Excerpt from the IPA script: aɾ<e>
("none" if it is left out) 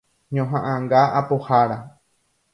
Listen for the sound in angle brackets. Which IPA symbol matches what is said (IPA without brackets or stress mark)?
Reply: a